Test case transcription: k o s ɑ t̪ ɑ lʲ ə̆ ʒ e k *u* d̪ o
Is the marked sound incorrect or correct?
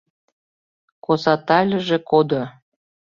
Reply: incorrect: o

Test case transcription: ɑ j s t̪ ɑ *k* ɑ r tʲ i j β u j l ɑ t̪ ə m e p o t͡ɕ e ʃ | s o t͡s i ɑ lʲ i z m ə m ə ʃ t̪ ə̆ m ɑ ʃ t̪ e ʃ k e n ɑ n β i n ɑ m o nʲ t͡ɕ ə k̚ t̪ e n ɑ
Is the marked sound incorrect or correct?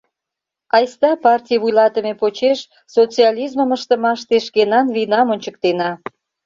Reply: incorrect: p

